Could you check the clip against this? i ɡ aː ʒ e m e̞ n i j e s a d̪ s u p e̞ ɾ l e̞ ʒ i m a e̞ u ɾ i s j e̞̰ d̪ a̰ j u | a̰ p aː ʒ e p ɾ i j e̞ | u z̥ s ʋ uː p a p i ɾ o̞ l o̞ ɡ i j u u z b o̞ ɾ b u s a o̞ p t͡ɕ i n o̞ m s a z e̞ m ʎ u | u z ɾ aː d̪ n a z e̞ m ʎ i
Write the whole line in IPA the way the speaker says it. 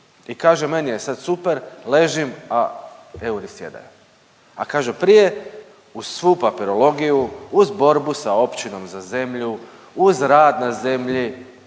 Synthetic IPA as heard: i k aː ʒ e m e̞ n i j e s a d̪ s u p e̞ ɾ l e̞ ʒ i m a e̞ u ɾ i s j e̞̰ d̪ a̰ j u | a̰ k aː ʒ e p ɾ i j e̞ | u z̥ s ʋ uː p a p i ɾ o̞ l o̞ ɡ i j u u z b o̞ ɾ b u s a o̞ p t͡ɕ i n o̞ m z a z e̞ m ʎ u | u z ɾ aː d̪ n a z e̞ m ʎ i